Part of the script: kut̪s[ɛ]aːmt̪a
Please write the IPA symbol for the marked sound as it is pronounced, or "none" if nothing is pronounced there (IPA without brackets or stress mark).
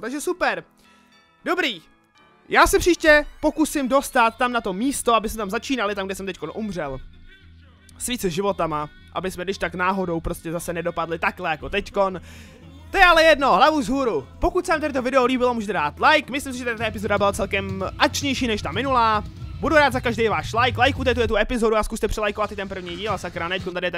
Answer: ɛ